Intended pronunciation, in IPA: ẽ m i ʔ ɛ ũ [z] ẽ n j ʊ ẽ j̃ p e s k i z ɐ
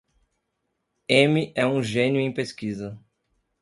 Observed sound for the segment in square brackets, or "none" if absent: ʒ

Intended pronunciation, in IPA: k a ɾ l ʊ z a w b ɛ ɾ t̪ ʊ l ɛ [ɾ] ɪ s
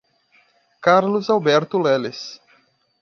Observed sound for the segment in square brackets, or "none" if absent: l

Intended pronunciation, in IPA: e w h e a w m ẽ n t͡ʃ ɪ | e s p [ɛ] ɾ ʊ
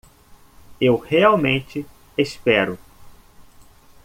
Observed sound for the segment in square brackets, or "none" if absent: ɛ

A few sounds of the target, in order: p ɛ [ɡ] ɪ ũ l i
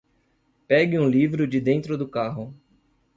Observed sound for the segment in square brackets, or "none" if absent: ɡ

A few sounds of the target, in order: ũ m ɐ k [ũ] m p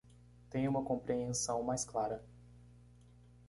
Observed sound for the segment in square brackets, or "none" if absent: õ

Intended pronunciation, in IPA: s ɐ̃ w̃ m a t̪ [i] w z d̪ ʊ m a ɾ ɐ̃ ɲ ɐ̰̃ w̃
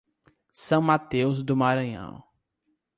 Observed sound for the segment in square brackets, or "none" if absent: e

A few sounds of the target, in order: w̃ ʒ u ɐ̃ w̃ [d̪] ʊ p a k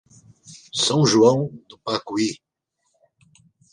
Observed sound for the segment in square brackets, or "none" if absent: d̪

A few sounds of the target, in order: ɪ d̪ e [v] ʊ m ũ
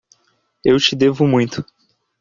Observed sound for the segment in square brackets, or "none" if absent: v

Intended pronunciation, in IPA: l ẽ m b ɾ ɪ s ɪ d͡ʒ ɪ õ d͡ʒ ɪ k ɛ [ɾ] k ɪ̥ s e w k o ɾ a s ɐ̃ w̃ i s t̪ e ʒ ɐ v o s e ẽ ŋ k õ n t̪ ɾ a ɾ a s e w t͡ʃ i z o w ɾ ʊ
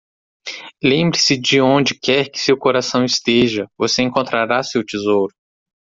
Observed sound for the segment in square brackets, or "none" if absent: ɾ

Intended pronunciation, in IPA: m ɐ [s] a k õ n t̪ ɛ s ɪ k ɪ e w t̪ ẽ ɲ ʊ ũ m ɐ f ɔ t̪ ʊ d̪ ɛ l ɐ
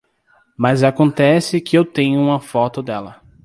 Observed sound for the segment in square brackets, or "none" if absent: z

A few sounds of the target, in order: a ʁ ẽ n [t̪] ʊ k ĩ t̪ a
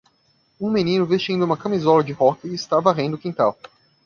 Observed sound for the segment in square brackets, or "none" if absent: d̪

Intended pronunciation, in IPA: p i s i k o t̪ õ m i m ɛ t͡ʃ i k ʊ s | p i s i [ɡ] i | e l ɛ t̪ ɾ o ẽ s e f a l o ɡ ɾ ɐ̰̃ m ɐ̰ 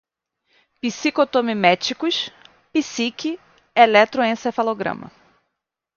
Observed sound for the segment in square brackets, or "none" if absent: k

